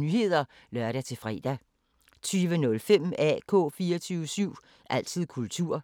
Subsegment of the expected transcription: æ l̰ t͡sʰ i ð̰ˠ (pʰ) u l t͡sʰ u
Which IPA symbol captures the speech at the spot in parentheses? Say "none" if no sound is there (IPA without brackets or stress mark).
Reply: kʰ